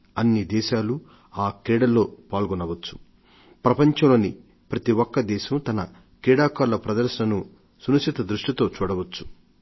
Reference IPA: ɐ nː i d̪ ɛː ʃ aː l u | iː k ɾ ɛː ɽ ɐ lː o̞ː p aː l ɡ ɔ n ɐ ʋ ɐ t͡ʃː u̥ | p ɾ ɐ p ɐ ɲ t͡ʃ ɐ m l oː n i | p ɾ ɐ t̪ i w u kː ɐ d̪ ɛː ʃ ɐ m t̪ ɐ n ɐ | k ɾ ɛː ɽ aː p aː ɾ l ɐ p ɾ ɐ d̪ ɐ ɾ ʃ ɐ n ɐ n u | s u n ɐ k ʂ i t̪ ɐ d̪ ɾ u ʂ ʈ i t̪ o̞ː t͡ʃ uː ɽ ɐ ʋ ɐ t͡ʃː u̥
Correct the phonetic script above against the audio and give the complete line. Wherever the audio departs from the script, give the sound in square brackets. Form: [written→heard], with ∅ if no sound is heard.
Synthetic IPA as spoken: ɐ nː i d̪ ɛː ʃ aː l u | [iː→aː] k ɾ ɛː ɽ ɐ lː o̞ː p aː l ɡ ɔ n ɐ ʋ ɐ t͡ʃː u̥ | p ɾ ɐ p ɐ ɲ t͡ʃ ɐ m l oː n i | p ɾ ɐ t̪ i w [u→ɔ] kː ɐ d̪ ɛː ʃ ɐ m t̪ ɐ n ɐ | k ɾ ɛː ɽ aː [p→k] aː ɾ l ɐ p ɾ ɐ d̪ ɐ ɾ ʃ ɐ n ɐ n u | s u n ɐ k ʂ i t̪ ɐ d̪ ɾ u ʂ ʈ i t̪ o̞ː t͡ʃ uː ɽ ɐ ʋ ɐ t͡ʃː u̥